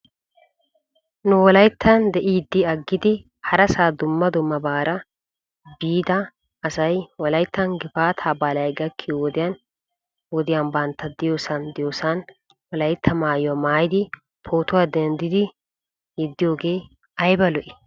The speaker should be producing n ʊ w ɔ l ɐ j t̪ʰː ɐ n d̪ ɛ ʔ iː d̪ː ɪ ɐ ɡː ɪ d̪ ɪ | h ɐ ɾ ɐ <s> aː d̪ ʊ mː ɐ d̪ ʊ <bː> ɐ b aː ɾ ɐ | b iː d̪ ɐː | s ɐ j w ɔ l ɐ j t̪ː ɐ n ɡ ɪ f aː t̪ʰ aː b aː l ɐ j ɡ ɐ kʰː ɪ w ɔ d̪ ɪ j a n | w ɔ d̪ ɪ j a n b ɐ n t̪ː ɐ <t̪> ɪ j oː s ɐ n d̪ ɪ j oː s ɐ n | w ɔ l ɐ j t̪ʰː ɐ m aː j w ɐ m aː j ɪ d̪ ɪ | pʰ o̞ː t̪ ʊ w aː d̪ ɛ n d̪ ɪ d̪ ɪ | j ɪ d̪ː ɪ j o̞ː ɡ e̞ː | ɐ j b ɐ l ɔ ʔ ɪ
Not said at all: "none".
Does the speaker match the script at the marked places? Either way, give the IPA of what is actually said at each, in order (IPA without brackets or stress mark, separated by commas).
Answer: s, mː, d̪